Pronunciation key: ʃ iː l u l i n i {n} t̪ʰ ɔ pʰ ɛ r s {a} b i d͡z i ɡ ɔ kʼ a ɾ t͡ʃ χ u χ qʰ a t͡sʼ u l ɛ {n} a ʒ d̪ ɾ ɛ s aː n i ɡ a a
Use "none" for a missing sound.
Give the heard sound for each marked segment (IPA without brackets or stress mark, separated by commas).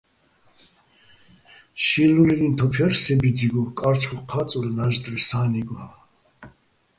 n, ɛ, n